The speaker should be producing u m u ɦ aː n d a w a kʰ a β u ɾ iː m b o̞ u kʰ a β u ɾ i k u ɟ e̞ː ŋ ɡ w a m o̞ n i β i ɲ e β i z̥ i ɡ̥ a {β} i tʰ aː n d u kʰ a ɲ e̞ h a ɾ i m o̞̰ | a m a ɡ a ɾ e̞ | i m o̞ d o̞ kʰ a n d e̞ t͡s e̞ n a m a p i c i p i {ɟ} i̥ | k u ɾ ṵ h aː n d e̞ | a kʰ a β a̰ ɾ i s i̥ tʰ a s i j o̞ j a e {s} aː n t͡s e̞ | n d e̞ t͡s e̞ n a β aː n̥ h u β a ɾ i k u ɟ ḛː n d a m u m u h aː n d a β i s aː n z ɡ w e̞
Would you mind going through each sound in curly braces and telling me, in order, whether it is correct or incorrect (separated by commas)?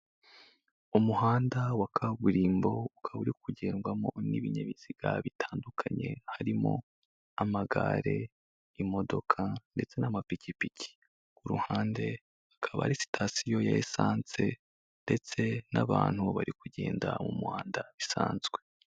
correct, incorrect, correct